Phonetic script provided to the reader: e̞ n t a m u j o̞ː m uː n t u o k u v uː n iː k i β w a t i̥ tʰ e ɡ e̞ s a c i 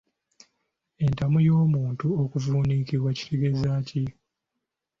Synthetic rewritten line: e̞ n t a m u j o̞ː m uː n t u o k u v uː n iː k i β w a c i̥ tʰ e ɡ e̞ z a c i